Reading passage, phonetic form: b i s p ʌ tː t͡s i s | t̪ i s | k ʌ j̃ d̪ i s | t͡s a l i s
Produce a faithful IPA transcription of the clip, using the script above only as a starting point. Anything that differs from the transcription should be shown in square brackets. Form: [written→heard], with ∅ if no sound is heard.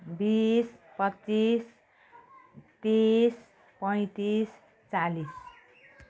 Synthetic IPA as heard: b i s p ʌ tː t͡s i s | t̪ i s | [k→p] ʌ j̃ [d̪→t̪] i s | t͡s a l i s